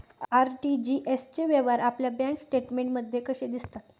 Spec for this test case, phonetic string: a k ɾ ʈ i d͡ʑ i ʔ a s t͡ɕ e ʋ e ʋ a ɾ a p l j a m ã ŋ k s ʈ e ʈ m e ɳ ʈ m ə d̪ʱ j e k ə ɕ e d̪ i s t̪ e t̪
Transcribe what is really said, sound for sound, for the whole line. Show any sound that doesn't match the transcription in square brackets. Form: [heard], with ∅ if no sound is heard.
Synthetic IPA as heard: a [∅] ɾ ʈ i d͡ʑ i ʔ [e] s t͡ɕ e ʋ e ʋ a ɾ a p l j a [b] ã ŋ k s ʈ e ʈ m e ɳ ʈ m ə d̪ʱ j e k ə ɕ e d̪ i s t̪ [a] t̪

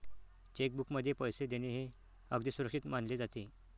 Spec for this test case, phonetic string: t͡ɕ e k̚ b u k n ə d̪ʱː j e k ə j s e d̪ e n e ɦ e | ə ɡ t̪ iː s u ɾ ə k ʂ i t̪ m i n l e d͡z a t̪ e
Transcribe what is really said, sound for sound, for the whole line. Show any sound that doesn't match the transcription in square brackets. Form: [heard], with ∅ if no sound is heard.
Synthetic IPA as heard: t͡ɕ e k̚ b u k [m] ə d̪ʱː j e [p] ə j s e d̪ e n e ɦ e | ə ɡ [d̪] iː s u ɾ ə k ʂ i t̪ m [a] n l e d͡z a t̪ e

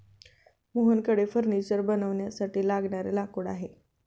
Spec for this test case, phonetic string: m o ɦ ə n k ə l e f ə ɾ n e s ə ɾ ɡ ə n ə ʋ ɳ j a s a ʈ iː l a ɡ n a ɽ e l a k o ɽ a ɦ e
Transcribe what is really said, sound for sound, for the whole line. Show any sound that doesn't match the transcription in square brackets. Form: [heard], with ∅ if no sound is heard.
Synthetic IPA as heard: m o ɦ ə n k ə [ɽ] e f ə ɾ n [i] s ə ɾ [b] ə n ə ʋ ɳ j a s a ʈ iː l a ɡ [ɳ] a [ɾ] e l a k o ɽ a ɦ e

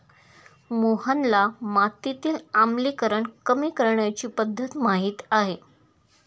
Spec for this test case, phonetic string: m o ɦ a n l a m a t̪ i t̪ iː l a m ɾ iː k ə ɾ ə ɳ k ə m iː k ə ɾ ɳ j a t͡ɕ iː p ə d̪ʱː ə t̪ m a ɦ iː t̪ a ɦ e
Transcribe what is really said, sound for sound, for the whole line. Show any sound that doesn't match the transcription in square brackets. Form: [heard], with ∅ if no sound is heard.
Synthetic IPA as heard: m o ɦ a n l a m a t̪ i t̪ iː l a m [l] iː k ə ɾ ə ɳ k ə m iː k ə ɾ ɳ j a t͡ɕ iː p ə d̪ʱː ə t̪ m a ɦ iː t̪ a ɦ e

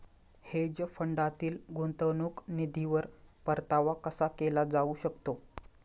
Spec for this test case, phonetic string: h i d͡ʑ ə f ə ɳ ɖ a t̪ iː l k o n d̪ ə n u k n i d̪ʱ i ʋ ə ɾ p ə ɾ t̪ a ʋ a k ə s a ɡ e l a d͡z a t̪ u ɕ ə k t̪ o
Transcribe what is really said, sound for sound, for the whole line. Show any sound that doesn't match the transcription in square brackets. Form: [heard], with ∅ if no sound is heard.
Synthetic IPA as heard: h [e] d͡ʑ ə f ə ɳ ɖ a t̪ iː l [ɡ] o n [t̪] ə n u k n i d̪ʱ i ʋ ə ɾ p ə ɾ t̪ a ʋ a k ə s a [k] e l a d͡z a [∅] u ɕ ə k t̪ o

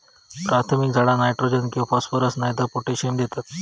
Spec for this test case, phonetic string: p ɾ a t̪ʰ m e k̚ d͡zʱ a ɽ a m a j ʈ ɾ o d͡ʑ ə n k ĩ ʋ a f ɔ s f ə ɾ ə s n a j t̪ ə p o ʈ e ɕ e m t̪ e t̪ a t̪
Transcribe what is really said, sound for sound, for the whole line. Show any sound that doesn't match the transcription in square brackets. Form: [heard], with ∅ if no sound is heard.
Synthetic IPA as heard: p ɾ a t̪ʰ m [i] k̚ d͡zʱ a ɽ a [n] a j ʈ ɾ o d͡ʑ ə n k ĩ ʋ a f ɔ s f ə ɾ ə s n a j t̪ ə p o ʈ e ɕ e m [d̪] e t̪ a t̪

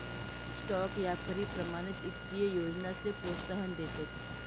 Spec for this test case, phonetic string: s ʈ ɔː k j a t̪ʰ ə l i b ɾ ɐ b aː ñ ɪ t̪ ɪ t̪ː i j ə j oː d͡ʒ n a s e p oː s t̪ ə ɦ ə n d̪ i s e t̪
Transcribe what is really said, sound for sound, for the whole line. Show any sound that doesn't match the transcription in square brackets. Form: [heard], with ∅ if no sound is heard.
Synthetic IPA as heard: s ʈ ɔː k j a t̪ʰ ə [ɾ] i [p] ɾ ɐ [m] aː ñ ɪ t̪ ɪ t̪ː i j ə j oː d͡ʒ n a s e p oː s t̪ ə ɦ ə n d̪ [e] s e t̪

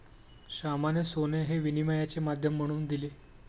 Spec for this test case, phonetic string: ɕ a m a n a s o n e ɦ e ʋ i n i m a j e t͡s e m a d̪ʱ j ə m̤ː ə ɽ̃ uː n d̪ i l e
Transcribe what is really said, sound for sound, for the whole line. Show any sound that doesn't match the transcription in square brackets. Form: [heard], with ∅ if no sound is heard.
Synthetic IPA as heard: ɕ a m a n [e] s o n e ɦ e ʋ i n i m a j [a] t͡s e m a d̪ʱ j ə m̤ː ə ɽ̃ uː n d̪ i l e

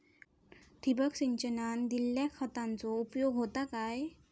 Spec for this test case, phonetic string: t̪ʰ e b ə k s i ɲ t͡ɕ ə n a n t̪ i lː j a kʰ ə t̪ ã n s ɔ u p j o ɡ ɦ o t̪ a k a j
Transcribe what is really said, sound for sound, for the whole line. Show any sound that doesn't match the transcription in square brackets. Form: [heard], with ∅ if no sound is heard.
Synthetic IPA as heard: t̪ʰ [i] b ə k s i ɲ t͡ɕ ə n a n [d̪] i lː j a kʰ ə t̪ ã n [t͡s] ɔ u p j o ɡ ɦ o t̪ a k a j

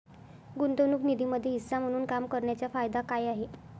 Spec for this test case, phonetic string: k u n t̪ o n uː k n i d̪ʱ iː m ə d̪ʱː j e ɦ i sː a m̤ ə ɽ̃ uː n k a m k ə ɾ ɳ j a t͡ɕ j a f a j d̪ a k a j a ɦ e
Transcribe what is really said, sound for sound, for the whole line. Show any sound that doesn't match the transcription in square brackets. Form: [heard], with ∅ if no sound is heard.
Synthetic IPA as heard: [ɡ] u n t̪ o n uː k n i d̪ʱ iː m ə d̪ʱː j e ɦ i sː a m̤ ə ɽ̃ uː n k a m k ə ɾ ɳ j a t͡ɕ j a f a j d̪ a k a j a ɦ e

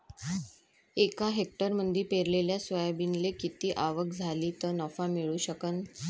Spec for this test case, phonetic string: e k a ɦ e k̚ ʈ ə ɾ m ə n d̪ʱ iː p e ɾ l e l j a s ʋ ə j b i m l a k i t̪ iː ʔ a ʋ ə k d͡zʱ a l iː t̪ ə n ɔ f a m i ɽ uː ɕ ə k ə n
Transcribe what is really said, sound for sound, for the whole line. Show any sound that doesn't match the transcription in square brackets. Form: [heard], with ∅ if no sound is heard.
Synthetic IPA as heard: e k a ɦ e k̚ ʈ ə ɾ m ə n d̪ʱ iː p e ɾ l e l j a s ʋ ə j b i [n] l [e] k i t̪ iː ʔ a ʋ ə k d͡zʱ a l iː t̪ ə n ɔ f a m i [ɭ] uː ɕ ə k ə n

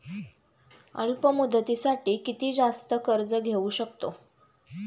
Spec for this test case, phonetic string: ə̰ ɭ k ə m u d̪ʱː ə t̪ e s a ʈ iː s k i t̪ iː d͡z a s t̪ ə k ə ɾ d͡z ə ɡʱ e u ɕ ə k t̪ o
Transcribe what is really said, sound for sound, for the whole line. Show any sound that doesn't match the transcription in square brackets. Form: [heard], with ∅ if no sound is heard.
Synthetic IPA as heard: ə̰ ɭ [p] ə m u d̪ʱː ə t̪ [i] s a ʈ iː [∅] k i t̪ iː d͡z a s t̪ ə k ə ɾ d͡z ə ɡʱ e u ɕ ə k t̪ o

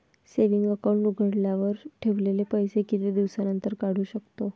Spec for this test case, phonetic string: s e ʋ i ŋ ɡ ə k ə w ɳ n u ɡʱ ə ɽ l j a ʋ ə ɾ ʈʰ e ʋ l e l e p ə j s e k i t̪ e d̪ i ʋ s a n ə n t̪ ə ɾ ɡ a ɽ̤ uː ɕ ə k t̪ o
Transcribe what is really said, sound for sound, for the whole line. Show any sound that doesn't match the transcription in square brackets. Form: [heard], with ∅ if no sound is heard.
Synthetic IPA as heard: s e ʋ i ŋ ɡ ə k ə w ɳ n u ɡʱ ə ɽ l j a ʋ ə ɾ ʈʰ e ʋ l e l e p ə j s e k i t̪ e d̪ i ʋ s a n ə n t̪ ə ɾ [k] a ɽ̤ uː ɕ ə k t̪ o

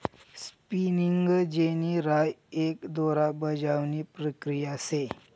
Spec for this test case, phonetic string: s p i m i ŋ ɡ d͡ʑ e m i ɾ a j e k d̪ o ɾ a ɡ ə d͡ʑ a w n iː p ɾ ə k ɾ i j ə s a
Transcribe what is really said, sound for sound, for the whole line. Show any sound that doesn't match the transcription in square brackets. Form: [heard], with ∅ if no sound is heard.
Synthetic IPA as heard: s p i [n] i ŋ ɡ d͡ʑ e [n] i ɾ a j e k d̪ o ɾ a [b] ə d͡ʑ a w n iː p ɾ ə k ɾ i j [a] s [e]

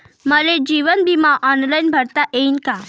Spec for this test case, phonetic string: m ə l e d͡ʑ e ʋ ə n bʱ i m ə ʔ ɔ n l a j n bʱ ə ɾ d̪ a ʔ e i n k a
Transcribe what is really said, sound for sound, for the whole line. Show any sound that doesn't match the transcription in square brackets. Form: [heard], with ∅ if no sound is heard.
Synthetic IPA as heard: m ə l e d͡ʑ [i] ʋ ə n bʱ i m [a] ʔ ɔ n l a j n bʱ ə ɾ [t̪] a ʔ e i n k a

